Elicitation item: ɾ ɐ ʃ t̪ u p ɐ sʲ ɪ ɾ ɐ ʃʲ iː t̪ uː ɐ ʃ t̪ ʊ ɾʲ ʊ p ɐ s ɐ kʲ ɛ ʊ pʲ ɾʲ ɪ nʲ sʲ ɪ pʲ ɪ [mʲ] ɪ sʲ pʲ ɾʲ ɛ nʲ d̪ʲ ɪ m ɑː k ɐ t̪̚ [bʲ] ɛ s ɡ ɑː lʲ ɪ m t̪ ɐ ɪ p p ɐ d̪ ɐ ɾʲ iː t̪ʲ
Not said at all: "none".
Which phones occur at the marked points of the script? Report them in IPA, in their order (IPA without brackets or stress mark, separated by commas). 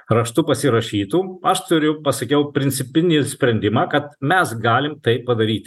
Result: nʲ, mʲ